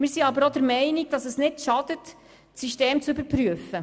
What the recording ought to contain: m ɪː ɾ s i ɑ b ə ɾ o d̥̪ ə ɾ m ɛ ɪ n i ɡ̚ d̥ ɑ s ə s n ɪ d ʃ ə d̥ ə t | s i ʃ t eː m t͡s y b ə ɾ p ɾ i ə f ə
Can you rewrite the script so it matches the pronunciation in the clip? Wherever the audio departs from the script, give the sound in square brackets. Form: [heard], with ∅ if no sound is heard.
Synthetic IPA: m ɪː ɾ s i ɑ b ə ɾ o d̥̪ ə ɾ m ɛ ɪ n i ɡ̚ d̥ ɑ s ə s n ɪ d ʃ [ɑ] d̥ ə t | s i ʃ t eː m t͡s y b ə ɾ p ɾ [y] ə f ə